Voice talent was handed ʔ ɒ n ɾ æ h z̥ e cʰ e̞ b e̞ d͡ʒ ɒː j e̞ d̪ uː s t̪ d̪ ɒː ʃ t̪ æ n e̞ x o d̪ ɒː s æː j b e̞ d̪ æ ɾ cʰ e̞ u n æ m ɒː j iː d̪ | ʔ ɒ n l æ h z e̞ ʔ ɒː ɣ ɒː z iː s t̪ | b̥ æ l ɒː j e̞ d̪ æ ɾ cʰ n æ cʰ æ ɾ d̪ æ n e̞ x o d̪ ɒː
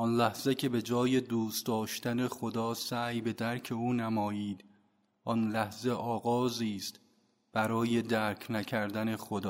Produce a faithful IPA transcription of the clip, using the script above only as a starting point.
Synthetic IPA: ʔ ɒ n l æ h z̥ e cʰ e̞ b e̞ d͡ʒ ɒː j e̞ d̪ uː s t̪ d̪ ɒː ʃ t̪ æ n e̞ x o d̪ ɒː s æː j b e̞ d̪ æ ɾ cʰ e̞ uː n æ m ɒː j iː d̪ | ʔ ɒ n l æ h z e̞ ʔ ɒː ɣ ɒː z iː s t̪ | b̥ æ ɾ ɒː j e̞ d̪ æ ɾ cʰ n æ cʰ æ ɾ d̪ æ n e̞ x o d̪ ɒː